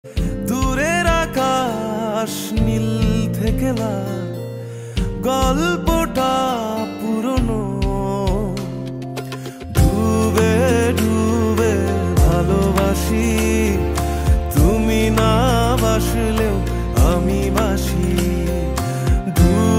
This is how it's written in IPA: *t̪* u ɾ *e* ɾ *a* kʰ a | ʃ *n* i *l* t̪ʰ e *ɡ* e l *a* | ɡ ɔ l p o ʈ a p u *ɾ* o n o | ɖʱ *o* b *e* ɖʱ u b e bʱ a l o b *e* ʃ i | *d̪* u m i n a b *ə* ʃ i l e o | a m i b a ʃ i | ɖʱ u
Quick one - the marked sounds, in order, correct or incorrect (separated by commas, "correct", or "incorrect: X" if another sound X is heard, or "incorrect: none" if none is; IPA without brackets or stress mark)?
incorrect: d̪, correct, correct, correct, correct, incorrect: k, correct, correct, incorrect: u, correct, incorrect: a, incorrect: t̪, incorrect: a